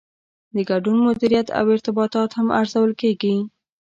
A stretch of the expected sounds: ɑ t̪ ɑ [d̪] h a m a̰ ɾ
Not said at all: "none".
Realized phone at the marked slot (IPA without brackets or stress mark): t̪